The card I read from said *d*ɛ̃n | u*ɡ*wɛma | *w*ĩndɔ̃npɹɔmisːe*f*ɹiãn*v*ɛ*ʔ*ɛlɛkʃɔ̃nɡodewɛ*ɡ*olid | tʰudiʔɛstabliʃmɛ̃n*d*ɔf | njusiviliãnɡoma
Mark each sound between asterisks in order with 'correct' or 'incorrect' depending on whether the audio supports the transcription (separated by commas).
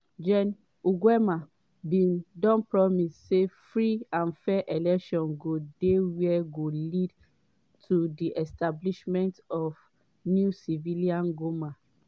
incorrect, correct, incorrect, correct, incorrect, correct, correct, incorrect